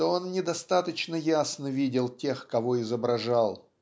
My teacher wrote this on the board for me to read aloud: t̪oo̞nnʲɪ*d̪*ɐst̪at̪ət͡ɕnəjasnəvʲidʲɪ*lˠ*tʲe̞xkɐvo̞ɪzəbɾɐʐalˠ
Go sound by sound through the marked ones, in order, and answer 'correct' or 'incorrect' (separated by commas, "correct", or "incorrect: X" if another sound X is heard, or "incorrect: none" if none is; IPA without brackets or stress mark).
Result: correct, correct